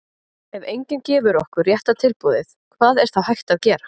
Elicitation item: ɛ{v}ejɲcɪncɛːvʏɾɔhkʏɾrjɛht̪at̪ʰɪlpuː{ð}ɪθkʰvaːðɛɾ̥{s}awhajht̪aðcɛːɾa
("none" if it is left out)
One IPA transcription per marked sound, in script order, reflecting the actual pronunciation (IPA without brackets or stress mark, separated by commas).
v, ð, θ